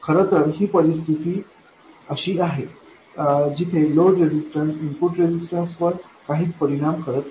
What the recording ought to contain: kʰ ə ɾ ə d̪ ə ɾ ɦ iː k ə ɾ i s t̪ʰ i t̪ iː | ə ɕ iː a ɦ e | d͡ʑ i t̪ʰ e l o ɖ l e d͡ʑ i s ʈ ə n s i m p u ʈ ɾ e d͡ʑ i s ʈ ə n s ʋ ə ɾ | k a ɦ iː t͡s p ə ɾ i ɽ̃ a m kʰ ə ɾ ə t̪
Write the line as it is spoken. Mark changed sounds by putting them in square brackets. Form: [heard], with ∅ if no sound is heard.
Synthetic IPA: kʰ ə ɾ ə [t̪] ə ɾ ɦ iː [p] ə ɾ i s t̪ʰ i t̪ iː | ə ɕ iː a ɦ e | d͡ʑ i t̪ʰ e l o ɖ [ɾ] e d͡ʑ i s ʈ ə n s i m p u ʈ ɾ e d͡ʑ i s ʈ ə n s ʋ ə ɾ | k a ɦ iː t͡s p ə ɾ i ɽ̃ a m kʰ ə ɾ ə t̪